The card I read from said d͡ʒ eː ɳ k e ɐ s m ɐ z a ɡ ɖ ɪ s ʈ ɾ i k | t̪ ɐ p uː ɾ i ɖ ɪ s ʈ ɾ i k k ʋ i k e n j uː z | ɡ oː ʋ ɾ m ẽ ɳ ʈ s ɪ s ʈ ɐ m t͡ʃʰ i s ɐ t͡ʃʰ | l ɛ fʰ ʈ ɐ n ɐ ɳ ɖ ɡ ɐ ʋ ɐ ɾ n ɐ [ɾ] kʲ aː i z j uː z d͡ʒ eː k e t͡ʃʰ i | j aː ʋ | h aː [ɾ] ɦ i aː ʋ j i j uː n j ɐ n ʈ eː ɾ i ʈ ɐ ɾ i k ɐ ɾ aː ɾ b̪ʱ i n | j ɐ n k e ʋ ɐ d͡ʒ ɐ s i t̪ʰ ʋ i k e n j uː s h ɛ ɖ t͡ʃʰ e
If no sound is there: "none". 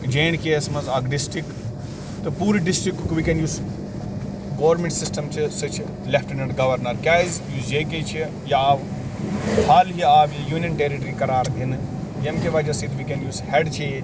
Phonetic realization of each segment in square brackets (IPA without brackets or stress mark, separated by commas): ɾ, l